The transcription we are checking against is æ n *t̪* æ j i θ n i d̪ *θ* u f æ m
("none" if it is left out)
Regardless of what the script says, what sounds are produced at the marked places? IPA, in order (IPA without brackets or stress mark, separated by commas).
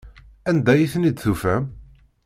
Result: d̪, θ